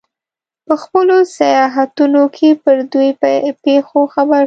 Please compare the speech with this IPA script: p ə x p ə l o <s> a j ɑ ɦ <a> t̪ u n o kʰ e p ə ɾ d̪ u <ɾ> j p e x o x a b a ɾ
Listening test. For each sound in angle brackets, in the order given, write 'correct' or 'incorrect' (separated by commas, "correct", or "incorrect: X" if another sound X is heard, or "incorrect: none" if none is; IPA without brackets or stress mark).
correct, correct, incorrect: none